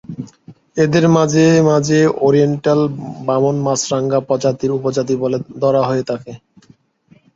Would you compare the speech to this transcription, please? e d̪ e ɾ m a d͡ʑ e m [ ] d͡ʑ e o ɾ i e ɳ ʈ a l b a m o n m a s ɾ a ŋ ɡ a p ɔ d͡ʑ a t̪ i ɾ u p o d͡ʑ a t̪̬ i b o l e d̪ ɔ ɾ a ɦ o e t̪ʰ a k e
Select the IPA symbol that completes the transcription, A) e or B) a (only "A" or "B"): B